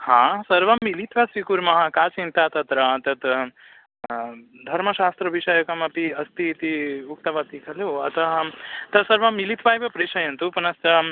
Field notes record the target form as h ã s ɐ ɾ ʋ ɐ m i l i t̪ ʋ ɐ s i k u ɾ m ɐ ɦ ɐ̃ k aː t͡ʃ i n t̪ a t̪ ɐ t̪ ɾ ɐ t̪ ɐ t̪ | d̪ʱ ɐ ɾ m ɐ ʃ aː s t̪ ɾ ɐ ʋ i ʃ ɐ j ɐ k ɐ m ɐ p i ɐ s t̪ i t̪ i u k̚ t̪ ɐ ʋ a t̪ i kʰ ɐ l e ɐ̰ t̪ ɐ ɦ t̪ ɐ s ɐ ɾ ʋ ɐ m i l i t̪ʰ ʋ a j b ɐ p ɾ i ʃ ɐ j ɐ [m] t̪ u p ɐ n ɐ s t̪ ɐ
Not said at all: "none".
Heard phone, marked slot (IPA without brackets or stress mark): n